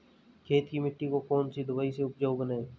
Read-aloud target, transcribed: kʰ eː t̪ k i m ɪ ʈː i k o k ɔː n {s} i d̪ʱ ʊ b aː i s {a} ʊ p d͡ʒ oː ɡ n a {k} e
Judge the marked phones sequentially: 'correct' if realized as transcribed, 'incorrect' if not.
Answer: correct, incorrect, incorrect

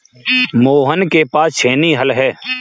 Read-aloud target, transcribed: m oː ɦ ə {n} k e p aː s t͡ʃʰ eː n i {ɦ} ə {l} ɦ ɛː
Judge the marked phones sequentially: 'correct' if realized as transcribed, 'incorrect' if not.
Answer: correct, correct, correct

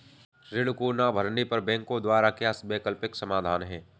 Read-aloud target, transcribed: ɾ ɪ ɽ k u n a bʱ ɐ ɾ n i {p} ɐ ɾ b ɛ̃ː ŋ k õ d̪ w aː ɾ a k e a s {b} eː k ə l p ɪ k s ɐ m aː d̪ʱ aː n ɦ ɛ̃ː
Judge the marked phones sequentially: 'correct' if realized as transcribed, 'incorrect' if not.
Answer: correct, correct

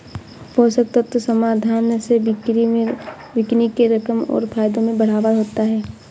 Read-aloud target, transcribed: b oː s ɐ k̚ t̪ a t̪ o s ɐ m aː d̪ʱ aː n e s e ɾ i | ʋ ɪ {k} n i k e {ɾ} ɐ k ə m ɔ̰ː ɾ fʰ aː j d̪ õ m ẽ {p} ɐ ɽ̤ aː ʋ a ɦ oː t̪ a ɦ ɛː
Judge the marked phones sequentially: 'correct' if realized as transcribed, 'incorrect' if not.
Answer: correct, correct, incorrect

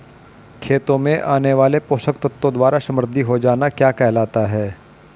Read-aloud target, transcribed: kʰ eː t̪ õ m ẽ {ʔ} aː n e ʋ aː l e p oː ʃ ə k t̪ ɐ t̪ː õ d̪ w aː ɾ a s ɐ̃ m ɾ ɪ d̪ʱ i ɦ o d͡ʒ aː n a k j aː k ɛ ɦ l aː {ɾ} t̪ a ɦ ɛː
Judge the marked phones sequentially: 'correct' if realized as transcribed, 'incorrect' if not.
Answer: correct, incorrect

